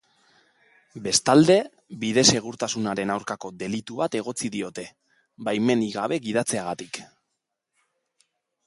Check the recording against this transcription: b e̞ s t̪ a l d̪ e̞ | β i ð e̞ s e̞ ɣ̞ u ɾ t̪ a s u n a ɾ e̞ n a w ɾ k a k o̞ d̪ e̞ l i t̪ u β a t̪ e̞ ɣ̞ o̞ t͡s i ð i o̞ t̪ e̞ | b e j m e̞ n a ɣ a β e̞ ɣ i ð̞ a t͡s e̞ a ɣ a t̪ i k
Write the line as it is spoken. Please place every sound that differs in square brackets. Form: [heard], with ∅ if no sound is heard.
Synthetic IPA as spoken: b e̞ s t̪ a l d̪ e̞ | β i ð e̞ s e̞ ɣ̞ u ɾ t̪ a s u n a ɾ e̞ n a w ɾ k a k o̞ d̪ e̞ l i t̪ u β a t̪ e̞ ɣ̞ o̞ t͡s i ð i o̞ t̪ e̞ | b [a] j m e̞ n [i] ɣ a β e̞ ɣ i ð̞ a t͡s e̞ a ɣ a t̪ i k